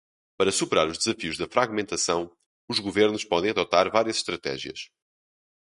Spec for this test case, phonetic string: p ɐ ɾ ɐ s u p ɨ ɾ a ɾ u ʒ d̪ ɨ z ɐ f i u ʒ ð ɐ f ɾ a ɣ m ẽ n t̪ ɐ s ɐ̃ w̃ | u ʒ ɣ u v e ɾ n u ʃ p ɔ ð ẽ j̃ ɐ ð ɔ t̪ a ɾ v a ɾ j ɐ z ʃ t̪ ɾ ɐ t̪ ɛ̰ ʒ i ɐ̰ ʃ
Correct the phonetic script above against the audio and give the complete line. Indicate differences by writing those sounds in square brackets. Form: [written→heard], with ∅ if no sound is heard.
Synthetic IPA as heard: p ɐ ɾ ɐ s u p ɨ ɾ a ɾ u ʒ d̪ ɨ z ɐ f i u ʒ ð ɐ f ɾ a ɣ m ẽ n t̪ ɐ s ɐ̃ w̃ | u ʒ ɣ u v e ɾ n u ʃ p ɔ ð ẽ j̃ ɐ ð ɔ t̪ a ɾ v a ɾ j ɐ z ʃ t̪ ɾ ɐ t̪ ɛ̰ ʒ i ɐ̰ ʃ